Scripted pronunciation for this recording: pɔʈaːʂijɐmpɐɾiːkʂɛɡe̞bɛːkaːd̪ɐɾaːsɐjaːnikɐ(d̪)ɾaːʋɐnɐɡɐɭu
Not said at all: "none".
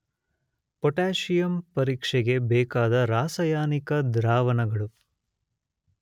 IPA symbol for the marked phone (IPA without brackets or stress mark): d̪